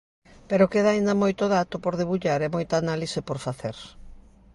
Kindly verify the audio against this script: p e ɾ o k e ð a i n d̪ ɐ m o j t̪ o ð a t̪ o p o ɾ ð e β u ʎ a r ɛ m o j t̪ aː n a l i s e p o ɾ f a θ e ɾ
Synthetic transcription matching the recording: p e ɾ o k e ð a i n d̪ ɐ m o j t̪ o ð a t̪ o p o ɾ ð e β u ʎ a ɾ ɛ m o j t̪ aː n a l i s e p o ɾ f a θ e ɾ